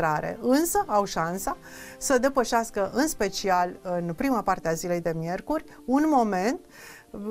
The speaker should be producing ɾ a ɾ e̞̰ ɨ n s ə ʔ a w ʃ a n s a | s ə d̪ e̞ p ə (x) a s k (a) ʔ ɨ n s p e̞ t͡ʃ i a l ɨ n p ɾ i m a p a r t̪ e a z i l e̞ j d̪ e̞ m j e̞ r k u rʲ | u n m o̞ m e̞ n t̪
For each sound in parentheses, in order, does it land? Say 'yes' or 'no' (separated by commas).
no, no